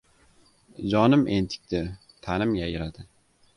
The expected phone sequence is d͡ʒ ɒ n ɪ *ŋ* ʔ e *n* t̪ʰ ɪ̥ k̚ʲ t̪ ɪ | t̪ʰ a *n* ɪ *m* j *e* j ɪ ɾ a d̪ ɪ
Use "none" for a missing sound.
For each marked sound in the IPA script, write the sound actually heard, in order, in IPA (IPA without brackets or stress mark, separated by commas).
m, n, n, m, a